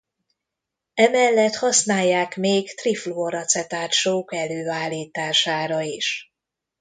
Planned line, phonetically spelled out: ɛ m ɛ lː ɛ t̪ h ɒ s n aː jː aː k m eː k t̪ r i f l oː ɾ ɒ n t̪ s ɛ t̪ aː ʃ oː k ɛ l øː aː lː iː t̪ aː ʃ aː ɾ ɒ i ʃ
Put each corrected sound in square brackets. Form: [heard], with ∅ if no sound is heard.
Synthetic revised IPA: ɛ m ɛ lː ɛ t̪ h ɒ s n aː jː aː k m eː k t̪ r i f l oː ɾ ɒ [∅] t̪ s ɛ t̪ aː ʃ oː k ɛ l øː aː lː iː t̪ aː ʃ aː ɾ ɒ i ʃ

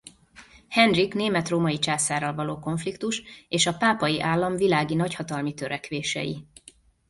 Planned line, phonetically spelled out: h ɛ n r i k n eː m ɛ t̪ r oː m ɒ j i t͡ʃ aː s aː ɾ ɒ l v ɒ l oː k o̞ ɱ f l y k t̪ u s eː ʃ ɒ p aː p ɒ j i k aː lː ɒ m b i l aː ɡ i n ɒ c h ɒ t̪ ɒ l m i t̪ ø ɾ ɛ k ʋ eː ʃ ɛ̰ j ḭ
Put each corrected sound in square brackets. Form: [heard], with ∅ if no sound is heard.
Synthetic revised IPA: h ɛ n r i k n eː m ɛ t̪ r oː m ɒ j i t͡ʃ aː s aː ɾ ɒ l v ɒ l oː k o̞ ɱ f l [i] k t̪ u [ʃ] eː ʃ ɒ p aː p ɒ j i [ʔ] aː lː ɒ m [v] i l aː ɡ i n ɒ c h ɒ t̪ ɒ l m i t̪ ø ɾ ɛ k ʋ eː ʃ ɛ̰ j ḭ

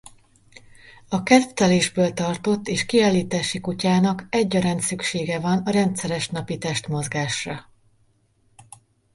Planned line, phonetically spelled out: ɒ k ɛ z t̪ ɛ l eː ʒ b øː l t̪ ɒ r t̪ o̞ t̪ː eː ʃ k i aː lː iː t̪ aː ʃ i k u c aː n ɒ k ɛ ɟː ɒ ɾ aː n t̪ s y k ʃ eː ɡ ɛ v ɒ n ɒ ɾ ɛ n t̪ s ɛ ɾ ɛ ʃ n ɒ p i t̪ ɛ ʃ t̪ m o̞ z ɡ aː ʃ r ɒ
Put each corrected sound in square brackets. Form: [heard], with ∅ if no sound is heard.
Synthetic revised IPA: ɒ k ɛ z t̪ ɛ l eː ʒ b øː l t̪ ɒ r t̪ o̞ t̪ː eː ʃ k i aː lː iː t̪ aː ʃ i k u c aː n ɒ k ɛ ɟː ɒ ɾ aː n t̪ s y k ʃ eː ɡ ɛ v ɒ n ɒ ɾ ɛ n t̪ s ɛ ɾ ɛ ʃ n ɒ p i t̪ ɛ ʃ t̪ m o̞ z ɡ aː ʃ r ɒ

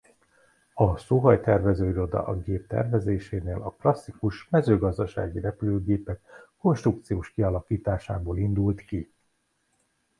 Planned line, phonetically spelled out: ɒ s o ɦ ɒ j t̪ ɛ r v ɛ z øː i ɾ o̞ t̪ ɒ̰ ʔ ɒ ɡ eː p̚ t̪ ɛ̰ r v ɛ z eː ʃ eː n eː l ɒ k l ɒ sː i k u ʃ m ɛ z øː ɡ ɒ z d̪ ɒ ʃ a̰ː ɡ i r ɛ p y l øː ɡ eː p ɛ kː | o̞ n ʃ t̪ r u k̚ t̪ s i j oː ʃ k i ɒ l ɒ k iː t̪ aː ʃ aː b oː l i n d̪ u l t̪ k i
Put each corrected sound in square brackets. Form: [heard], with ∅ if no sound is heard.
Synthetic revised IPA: ɒ s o ɦ ɒ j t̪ ɛ r v ɛ z øː i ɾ o̞ [d̪] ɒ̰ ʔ ɒ ɡ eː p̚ t̪ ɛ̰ r v ɛ z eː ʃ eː n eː l ɒ k l ɒ sː i k u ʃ m ɛ z øː ɡ ɒ z d̪ ɒ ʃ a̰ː ɡ i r ɛ p y l øː ɡ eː p ɛ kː | o̞ n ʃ t̪ r u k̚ t̪ s i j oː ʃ k i ɒ l ɒ k iː t̪ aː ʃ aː b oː l i n d̪ u l t̪ k i

